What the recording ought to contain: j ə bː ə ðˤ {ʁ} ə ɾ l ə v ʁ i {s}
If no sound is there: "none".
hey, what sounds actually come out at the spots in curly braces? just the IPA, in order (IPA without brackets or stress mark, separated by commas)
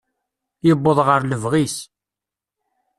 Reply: ʁ, s